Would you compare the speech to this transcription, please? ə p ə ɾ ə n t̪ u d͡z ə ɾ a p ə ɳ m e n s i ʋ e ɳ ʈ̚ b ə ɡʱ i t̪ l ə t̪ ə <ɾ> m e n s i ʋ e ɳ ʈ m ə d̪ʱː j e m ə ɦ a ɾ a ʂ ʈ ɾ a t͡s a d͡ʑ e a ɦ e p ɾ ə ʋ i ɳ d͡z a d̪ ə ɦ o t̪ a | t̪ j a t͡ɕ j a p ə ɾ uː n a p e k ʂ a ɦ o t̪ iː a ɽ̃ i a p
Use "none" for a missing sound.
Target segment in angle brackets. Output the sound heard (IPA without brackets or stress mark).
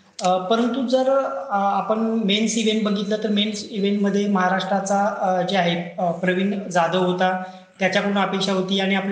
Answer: ɾ